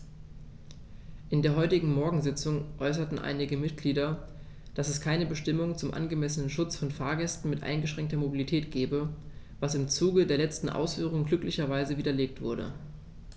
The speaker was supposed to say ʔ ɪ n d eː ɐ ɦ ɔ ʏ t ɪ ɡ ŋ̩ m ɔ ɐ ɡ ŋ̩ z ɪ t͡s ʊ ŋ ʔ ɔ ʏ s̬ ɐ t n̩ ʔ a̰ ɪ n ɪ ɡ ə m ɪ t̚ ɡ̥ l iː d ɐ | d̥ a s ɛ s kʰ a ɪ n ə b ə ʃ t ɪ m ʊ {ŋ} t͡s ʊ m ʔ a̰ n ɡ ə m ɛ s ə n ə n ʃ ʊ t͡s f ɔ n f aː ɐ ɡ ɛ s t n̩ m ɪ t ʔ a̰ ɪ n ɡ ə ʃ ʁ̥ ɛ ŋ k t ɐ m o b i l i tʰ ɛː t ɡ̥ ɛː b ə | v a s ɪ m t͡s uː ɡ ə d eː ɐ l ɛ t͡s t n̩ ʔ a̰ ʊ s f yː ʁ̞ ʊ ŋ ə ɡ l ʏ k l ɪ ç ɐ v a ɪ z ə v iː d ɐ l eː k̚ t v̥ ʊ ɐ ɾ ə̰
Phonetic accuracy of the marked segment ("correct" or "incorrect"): correct